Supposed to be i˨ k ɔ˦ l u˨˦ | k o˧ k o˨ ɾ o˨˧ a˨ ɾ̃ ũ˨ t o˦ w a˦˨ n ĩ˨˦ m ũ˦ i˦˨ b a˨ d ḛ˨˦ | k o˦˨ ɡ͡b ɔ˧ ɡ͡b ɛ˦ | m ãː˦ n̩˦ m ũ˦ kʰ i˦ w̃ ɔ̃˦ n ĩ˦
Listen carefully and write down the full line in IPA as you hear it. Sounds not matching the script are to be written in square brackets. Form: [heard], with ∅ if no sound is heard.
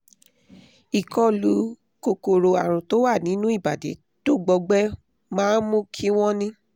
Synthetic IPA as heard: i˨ k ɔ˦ l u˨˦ | k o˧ k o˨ ɾ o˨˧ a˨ ɾ̃ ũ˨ t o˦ w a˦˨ n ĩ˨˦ [n] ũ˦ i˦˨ b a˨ d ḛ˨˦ | [t] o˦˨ ɡ͡b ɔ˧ ɡ͡b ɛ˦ | m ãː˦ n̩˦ m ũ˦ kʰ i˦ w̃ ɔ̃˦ n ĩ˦